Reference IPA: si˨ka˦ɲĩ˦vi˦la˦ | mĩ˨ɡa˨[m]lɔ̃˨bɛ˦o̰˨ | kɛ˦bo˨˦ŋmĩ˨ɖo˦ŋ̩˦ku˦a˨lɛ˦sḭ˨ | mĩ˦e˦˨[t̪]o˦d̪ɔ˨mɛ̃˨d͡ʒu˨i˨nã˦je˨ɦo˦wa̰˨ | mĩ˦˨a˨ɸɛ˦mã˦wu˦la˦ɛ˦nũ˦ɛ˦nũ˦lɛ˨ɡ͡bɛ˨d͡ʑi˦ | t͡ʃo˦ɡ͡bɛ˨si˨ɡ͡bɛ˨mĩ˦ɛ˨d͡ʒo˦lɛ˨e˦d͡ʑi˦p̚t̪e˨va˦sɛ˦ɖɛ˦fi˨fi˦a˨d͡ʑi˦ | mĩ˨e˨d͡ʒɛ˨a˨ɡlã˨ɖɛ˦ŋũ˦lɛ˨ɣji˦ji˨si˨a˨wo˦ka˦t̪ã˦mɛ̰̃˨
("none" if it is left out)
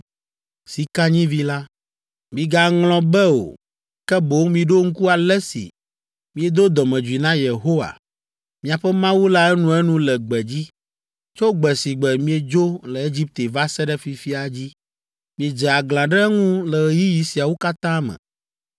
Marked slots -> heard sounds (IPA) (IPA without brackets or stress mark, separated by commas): ŋ, d̪